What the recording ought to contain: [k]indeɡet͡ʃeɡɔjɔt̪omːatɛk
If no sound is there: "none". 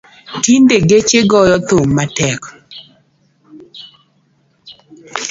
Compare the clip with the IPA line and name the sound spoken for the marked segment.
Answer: t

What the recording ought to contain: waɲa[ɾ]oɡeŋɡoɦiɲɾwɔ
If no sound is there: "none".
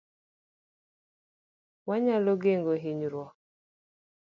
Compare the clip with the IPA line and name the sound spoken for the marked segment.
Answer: l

